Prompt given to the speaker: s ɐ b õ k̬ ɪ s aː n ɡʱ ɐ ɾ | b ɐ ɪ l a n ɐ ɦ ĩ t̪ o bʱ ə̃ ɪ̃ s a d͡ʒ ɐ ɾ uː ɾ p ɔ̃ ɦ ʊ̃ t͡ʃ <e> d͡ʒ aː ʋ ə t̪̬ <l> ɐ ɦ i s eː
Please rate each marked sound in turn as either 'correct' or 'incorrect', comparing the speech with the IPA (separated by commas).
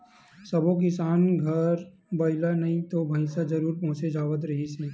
correct, incorrect